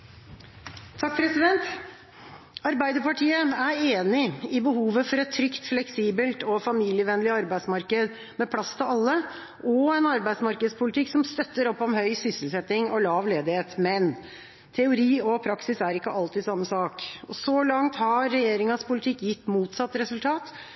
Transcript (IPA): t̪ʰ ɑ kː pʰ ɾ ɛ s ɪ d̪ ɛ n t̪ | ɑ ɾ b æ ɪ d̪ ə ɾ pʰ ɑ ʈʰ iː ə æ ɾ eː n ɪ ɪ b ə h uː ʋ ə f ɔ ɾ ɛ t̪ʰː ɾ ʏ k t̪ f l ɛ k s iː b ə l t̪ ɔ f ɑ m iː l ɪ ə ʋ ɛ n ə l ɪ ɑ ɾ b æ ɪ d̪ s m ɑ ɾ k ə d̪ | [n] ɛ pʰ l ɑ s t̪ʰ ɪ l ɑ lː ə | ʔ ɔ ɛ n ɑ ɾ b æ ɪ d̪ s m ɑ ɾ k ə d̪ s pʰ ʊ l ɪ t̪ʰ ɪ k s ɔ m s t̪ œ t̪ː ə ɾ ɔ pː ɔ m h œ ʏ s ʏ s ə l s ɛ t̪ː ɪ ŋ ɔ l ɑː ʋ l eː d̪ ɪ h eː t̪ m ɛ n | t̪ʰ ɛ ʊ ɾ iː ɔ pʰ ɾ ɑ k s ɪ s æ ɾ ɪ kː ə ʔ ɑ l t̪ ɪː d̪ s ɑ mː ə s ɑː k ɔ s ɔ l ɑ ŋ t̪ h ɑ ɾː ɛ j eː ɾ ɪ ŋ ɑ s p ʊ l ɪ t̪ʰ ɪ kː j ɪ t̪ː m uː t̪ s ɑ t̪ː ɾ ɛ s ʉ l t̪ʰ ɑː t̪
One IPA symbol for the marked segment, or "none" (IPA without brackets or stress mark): m